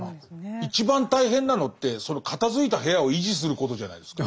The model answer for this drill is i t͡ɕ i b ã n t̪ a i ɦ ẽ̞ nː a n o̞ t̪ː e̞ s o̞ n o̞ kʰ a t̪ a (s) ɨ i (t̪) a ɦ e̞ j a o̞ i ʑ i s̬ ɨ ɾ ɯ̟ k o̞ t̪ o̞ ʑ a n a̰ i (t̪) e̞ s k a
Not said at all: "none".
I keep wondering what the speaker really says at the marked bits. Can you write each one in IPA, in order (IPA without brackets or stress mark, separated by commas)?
z, t̪, d̪